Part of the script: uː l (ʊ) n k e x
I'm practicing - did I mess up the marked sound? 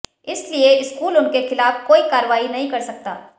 no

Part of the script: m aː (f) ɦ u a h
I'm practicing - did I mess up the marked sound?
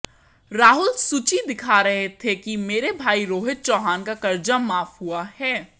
no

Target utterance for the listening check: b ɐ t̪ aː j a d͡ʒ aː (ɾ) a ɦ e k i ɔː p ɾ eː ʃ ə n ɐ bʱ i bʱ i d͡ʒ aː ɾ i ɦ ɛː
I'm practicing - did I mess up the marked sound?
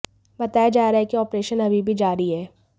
no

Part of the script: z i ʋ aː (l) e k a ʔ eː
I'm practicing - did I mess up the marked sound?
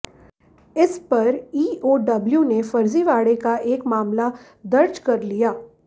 yes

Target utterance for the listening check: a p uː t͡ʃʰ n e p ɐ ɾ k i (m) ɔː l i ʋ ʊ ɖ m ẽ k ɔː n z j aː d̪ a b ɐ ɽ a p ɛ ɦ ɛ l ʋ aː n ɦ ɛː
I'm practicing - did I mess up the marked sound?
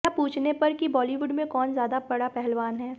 yes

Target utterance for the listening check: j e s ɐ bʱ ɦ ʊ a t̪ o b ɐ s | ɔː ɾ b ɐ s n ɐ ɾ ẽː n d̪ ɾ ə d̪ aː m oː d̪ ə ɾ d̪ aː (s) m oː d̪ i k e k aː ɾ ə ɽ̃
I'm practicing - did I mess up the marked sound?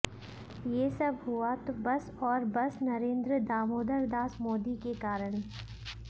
no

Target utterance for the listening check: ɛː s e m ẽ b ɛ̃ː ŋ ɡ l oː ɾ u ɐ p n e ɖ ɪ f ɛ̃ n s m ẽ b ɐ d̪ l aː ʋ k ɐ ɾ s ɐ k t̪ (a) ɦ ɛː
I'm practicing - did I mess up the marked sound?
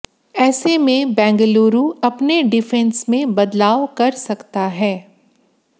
no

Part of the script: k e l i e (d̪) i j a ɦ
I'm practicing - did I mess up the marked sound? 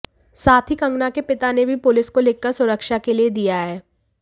no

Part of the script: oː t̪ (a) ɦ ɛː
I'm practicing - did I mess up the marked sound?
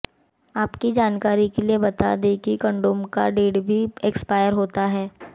no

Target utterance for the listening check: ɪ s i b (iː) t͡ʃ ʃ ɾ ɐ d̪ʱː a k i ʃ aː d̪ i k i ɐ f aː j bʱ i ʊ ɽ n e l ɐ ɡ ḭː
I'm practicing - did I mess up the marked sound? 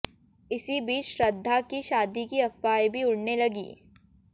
no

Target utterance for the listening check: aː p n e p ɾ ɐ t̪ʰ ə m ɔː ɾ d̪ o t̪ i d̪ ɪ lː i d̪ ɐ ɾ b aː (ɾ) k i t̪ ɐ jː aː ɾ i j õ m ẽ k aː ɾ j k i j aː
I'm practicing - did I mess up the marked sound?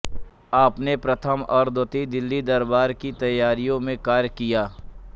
no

